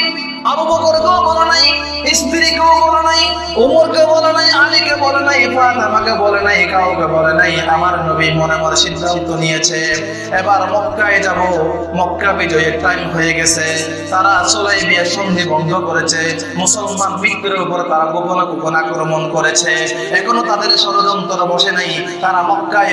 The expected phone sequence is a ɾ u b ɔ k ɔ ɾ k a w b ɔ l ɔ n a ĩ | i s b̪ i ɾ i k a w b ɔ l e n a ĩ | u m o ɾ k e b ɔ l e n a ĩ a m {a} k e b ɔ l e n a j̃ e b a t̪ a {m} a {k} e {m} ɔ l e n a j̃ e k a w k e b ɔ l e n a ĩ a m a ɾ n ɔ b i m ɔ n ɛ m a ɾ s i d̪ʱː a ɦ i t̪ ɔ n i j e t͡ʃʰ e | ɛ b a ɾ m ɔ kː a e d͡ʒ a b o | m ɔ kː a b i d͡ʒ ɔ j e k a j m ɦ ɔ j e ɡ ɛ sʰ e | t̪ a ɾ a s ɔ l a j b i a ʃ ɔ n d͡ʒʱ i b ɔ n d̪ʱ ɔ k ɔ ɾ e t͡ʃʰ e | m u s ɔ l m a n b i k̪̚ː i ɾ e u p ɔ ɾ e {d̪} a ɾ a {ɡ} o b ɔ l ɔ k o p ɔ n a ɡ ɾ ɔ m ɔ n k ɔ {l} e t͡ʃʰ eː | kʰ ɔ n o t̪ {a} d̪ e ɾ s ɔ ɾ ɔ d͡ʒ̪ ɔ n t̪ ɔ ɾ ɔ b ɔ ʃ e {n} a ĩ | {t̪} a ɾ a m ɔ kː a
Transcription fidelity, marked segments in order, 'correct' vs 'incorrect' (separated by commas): incorrect, correct, correct, incorrect, incorrect, correct, incorrect, correct, correct, correct